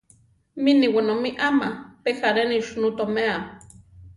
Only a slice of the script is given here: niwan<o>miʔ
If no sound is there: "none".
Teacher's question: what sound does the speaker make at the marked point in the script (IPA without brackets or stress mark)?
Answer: o